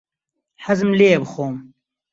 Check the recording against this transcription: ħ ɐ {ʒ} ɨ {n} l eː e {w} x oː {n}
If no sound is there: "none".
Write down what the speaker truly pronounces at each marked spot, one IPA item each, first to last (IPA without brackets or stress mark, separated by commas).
z, m, b, m